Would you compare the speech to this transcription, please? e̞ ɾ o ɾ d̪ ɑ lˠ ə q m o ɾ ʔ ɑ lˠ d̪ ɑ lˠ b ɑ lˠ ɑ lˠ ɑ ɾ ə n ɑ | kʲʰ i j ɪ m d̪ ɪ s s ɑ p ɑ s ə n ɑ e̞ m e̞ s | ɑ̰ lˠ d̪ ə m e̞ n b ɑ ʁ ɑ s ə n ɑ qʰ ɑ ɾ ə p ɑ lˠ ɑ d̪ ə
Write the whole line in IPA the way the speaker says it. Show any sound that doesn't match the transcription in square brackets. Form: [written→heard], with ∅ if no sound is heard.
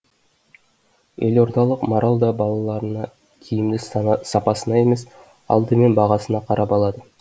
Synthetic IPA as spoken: e̞ [ɾ→l] o ɾ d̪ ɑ lˠ ə q m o ɾ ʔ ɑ lˠ d̪ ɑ [lˠ→∅] b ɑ lˠ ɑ lˠ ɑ ɾ ə n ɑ | kʲʰ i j ɪ m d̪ ɪ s s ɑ p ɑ s ə n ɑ e̞ m e̞ s | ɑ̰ lˠ d̪ ə m e̞ n b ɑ ʁ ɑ s ə n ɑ qʰ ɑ ɾ [ə→ɑ] p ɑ lˠ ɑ d̪ ə